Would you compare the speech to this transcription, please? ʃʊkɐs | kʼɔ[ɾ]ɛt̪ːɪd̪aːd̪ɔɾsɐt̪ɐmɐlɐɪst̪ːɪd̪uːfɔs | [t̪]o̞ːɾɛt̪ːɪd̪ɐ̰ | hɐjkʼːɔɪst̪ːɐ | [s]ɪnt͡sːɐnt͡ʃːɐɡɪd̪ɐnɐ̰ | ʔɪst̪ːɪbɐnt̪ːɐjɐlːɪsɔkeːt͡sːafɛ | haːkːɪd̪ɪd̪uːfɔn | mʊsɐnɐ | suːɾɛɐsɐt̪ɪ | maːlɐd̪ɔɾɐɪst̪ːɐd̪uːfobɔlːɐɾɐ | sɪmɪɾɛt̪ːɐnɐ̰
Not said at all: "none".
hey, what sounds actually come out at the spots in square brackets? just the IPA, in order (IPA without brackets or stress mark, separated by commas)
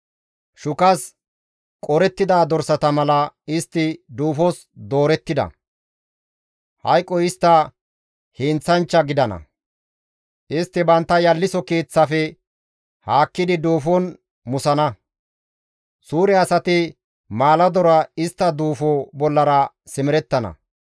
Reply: ɾ, d̪, h